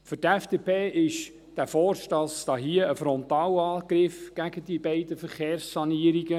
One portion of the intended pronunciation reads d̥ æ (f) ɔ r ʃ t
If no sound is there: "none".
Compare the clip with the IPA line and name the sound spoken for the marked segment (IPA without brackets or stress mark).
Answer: f